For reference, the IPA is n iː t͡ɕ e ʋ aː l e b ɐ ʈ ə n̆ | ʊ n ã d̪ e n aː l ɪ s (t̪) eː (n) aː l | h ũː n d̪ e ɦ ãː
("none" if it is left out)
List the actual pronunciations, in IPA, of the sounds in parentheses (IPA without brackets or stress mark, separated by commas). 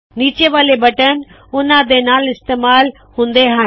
t̪, m